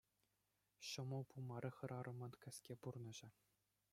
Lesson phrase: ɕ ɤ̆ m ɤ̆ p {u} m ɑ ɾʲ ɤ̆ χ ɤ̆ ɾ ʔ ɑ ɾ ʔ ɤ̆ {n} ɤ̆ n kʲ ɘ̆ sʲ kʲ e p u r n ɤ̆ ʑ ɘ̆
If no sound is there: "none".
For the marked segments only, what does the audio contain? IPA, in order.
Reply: u, m

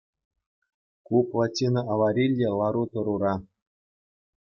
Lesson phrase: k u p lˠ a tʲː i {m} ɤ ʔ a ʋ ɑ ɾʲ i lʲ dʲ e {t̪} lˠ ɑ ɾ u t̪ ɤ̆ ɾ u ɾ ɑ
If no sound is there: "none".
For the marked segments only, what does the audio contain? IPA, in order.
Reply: n, none

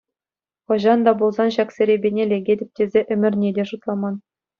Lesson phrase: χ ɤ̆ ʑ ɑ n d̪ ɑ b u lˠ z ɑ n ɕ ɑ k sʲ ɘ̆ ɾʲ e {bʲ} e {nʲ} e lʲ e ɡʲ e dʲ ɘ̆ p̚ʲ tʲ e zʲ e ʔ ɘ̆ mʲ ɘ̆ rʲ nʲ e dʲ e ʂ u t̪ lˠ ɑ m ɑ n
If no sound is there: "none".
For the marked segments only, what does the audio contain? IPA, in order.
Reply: bʲ, nʲ

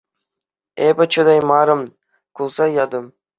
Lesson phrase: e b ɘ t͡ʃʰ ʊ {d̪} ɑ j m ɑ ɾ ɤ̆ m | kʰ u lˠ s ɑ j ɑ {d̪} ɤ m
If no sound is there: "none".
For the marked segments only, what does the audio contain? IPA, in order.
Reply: d̪, d̪

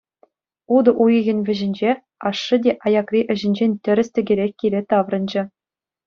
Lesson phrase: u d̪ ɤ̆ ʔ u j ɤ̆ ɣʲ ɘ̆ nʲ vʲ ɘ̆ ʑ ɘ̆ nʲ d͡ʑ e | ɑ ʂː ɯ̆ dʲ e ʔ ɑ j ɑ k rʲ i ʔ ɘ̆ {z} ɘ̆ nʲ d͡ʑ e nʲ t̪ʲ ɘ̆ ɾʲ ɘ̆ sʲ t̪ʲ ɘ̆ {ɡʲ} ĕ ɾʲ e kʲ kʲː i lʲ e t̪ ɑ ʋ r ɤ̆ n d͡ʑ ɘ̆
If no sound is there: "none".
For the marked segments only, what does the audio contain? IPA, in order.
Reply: ʑ, ɡʲ

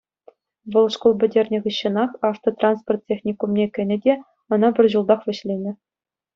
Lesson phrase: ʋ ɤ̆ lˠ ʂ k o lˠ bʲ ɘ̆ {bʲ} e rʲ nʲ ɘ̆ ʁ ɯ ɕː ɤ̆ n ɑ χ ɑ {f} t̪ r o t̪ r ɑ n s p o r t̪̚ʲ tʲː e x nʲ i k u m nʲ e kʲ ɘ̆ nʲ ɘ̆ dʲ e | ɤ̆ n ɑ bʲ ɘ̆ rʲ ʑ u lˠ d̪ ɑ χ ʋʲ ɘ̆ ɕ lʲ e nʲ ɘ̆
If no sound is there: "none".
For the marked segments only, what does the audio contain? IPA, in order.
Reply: dʲ, f

